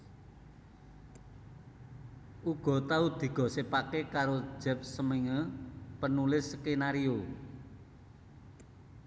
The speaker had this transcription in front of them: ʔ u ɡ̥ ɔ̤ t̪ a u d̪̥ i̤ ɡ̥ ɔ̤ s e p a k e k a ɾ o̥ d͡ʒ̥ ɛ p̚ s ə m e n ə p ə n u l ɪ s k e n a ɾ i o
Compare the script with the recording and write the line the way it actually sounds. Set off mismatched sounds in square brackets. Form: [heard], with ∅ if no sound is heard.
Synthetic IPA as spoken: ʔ u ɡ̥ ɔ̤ t̪ a u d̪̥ i̤ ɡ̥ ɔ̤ s e p a k e k a ɾ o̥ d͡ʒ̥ ɛ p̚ s ə m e [ŋ] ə p ə n u l ɪ s k e n a ɾ i o